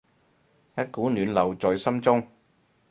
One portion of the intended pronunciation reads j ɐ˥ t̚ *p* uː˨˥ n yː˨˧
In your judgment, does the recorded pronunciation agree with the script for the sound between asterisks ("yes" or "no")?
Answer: no